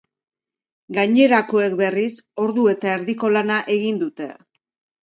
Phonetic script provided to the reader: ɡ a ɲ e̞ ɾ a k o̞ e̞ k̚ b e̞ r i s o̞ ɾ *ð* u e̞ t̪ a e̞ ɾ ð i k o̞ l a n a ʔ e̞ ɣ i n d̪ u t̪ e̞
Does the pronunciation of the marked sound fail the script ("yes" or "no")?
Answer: no